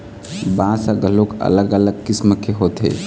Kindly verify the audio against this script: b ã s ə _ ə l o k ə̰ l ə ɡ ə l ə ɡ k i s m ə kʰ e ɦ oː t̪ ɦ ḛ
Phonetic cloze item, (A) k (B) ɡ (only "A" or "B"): B